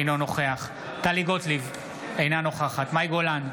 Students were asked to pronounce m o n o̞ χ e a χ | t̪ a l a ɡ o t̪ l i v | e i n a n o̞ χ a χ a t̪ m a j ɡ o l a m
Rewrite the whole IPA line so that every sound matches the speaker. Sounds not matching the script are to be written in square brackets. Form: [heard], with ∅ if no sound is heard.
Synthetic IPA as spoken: [n] o n o̞ χ e a χ | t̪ a l [i] ɡ o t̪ l i v | e [j] n a n o̞ χ a χ a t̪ m a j ɡ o l a [n]